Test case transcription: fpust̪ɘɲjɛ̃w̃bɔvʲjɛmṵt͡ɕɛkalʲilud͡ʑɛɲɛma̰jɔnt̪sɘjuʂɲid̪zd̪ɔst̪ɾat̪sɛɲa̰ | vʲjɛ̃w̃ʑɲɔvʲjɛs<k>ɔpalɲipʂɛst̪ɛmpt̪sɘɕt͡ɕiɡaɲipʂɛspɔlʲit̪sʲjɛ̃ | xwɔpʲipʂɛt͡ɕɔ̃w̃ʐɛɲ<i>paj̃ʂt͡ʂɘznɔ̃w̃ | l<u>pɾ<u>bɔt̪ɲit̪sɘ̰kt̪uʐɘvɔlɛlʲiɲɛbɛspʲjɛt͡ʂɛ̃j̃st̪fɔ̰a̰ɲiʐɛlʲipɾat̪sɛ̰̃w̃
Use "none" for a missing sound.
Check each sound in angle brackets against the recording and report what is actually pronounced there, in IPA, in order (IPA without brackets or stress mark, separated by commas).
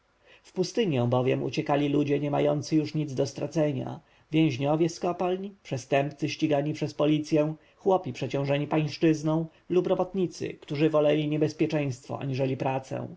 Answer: k, i, u, ɔ